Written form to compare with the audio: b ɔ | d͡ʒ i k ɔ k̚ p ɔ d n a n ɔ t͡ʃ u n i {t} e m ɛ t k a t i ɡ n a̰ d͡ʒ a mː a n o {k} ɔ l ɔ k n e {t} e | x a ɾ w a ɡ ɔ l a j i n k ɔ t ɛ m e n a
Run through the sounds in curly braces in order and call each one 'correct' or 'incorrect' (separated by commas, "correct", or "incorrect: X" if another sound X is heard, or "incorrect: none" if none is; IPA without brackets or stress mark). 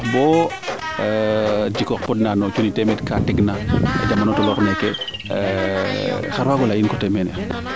correct, incorrect: t, incorrect: k